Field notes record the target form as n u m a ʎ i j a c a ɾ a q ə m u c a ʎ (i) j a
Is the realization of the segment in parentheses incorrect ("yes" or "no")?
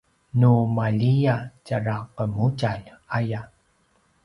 yes